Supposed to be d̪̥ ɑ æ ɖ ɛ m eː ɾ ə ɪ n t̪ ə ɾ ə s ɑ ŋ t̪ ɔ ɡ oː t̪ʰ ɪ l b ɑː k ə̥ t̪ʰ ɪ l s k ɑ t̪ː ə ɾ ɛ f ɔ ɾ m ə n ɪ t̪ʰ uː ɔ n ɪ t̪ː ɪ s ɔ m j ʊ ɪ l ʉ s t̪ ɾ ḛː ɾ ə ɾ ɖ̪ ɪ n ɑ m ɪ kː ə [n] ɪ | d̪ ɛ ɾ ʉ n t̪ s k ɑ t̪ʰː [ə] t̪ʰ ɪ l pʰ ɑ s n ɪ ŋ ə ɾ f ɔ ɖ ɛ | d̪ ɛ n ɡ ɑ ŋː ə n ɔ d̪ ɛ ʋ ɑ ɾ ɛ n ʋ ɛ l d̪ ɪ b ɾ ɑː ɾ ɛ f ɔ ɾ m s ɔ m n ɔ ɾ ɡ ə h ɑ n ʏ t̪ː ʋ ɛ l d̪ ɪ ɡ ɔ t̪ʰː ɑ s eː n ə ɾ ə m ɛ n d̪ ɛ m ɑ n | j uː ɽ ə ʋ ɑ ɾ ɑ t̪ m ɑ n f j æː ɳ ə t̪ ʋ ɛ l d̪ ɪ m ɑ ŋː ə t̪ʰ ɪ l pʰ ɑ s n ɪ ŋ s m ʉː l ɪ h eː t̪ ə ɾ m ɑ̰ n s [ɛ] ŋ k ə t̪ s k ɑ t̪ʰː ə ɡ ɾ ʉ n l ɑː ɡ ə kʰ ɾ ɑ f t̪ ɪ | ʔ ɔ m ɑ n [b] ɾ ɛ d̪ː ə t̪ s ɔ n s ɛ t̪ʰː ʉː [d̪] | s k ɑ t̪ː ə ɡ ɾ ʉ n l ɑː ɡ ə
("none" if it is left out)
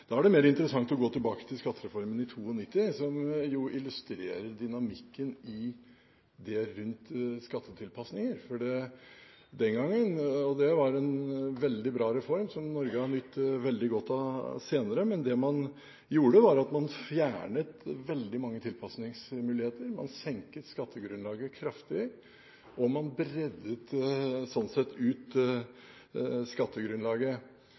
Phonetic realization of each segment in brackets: n, ə, ɛ, b, t̪

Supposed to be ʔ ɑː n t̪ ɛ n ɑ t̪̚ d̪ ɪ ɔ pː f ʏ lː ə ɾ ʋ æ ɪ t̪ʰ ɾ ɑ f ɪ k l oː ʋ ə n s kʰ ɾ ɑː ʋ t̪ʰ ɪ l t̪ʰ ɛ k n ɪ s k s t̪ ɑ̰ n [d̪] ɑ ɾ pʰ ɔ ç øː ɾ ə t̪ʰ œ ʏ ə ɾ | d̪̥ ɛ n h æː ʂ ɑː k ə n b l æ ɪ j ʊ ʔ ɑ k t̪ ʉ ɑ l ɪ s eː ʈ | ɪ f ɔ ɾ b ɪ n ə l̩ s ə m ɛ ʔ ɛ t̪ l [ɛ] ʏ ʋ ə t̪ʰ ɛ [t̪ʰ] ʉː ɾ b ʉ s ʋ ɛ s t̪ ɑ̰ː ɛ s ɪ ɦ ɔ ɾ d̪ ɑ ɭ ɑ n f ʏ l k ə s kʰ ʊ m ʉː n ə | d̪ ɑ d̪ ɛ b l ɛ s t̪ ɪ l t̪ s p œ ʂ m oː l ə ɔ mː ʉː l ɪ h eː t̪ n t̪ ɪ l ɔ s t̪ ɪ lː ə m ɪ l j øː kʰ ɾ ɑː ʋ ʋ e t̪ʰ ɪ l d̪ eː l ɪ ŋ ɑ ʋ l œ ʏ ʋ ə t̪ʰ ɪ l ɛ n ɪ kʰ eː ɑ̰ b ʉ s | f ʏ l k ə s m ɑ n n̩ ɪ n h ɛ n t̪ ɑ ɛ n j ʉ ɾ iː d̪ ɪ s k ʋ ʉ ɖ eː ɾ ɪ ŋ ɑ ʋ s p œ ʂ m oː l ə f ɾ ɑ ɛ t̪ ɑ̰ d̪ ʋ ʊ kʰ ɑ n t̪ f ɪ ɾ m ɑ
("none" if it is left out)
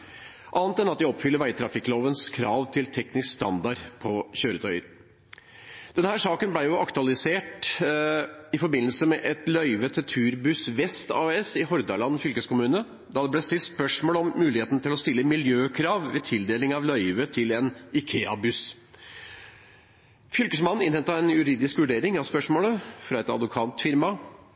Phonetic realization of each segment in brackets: d̪, œ, t̪ʰ

